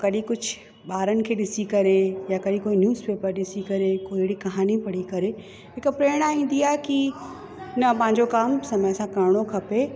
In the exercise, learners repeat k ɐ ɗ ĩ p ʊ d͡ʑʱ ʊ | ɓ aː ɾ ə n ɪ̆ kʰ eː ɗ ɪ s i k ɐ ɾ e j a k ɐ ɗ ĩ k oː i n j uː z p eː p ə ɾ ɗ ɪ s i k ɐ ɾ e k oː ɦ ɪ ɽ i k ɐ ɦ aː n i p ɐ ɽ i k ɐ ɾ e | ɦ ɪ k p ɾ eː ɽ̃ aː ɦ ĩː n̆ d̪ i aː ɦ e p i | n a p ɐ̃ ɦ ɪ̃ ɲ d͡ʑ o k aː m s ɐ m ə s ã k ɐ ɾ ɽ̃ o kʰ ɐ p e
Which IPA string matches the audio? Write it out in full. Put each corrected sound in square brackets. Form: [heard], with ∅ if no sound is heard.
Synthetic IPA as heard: k ɐ ɗ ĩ [k] ʊ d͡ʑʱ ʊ | ɓ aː ɾ ə n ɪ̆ kʰ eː ɗ ɪ s i k ɐ ɾ e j a k ɐ ɗ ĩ k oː i n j uː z p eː p ə ɾ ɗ ɪ s i k ɐ ɾ e k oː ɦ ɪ ɽ i k ɐ ɦ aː n i p ɐ ɽ i k ɐ ɾ e | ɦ ɪ k p ɾ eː ɽ̃ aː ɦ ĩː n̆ d̪ i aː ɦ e [k] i | n [ɐ] p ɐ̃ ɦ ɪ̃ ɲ d͡ʑ o k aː m s ɐ m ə s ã k ɐ ɾ ɽ̃ o kʰ ɐ p e